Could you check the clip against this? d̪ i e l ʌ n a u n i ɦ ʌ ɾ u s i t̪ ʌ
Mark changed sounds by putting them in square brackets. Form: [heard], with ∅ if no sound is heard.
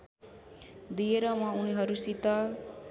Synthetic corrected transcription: d̪ i e [ɾ] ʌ [m] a u n i ɦ ʌ ɾ u s i t̪ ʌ

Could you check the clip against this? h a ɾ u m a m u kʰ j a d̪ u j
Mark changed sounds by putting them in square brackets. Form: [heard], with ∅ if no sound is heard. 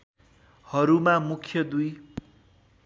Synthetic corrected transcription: h [ʌ] ɾ u m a m u kʰ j [ʌ] d̪ u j

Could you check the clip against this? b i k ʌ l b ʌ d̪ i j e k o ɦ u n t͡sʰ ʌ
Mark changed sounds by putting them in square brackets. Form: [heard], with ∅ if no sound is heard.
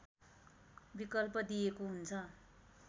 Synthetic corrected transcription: b i k ʌ l [p] ʌ d̪ i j e k o ɦ u n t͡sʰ ʌ

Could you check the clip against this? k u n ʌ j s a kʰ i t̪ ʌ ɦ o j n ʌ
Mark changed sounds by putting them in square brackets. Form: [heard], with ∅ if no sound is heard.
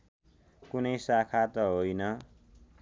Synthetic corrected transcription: k u n ʌ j s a kʰ [a] t̪ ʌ ɦ o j n ʌ

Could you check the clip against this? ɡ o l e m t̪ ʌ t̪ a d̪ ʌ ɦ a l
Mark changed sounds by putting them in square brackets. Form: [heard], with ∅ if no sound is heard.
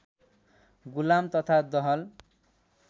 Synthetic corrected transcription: ɡ [u] l [a] m t̪ ʌ [t̪ʰ] a d̪ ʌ ɦ [ʌ] l

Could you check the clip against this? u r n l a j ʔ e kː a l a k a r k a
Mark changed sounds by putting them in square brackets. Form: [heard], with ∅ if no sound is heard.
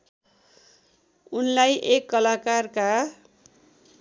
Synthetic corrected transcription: u [∅] n l a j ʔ e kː [ʌ] l a k a r k a

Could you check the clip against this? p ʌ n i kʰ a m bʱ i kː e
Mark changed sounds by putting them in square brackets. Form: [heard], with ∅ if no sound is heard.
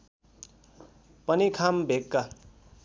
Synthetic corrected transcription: p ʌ n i kʰ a m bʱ [e] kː [a]

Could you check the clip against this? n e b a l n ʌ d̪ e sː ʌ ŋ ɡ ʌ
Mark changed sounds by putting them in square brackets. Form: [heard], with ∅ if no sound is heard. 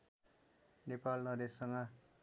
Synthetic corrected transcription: n e [p] a l n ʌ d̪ e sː ʌ ŋ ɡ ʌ

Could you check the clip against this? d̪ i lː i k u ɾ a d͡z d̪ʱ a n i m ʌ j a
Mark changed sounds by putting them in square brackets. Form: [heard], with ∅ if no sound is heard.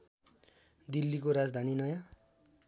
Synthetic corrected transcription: d̪ i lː i k [o] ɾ a d͡z d̪ʱ a n i [n] ʌ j a

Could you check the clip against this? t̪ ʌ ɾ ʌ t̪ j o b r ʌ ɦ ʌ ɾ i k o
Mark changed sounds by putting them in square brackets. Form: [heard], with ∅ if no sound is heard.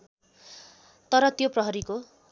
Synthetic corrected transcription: t̪ ʌ ɾ ʌ t̪ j o [p] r ʌ ɦ ʌ ɾ i k o

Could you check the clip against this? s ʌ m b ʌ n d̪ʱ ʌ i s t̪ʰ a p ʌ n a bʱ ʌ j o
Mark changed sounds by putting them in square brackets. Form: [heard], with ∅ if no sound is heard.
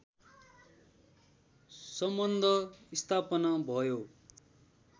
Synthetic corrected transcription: s ʌ m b ʌ n d̪ʱ ʌ i s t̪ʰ a p ʌ n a bʱ ʌ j o

